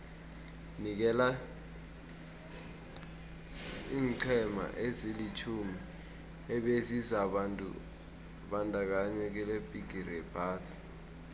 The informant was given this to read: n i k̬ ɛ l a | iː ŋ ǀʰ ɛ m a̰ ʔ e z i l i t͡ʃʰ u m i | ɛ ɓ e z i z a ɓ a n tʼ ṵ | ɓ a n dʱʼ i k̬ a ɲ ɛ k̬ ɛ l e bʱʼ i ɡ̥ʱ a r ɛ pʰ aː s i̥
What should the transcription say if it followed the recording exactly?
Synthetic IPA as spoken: n i k̬ ɛ l a | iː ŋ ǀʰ ɛ m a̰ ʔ e z i l i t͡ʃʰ u m i | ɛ ɓ e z i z a ɓ a n tʼ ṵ | ɓ a n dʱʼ a k̬ a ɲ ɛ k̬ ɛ l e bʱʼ i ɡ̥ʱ i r ɛ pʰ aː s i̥